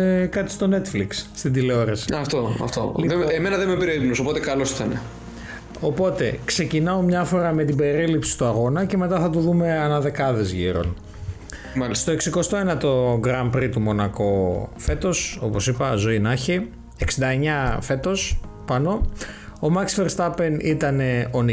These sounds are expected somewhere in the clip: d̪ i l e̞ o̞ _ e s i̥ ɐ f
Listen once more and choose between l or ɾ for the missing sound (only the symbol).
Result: ɾ